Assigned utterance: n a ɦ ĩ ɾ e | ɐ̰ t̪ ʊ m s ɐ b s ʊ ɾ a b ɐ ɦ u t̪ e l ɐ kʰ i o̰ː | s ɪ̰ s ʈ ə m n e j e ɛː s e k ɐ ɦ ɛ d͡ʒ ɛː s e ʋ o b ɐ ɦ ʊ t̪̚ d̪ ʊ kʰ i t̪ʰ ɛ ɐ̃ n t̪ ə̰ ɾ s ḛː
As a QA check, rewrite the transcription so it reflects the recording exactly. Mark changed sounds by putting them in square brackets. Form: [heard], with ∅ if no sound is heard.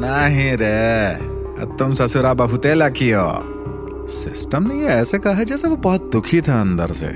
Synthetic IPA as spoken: n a ɦ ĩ ɾ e | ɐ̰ t̪ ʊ m s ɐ [∅] s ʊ ɾ a b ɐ ɦ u t̪ e l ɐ kʰ i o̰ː | s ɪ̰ s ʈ ə m n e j e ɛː s e k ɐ ɦ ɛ d͡ʒ ɛː s e ʋ o b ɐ ɦ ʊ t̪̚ d̪ ʊ kʰ i t̪ʰ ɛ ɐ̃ n [d̪] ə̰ ɾ s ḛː